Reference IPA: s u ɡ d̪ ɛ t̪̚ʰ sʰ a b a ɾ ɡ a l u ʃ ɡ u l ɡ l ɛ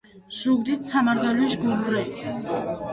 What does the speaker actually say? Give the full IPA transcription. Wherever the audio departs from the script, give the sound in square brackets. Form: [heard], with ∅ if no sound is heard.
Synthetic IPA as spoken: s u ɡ d̪ [i] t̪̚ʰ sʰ a [m] a ɾ ɡ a l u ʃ ɡ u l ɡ [ɾ] ɛ